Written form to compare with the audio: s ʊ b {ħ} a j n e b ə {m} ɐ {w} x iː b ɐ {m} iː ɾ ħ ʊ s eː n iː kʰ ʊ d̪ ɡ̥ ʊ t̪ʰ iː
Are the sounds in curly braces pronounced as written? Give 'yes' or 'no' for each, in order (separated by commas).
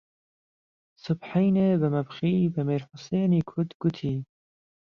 yes, yes, no, yes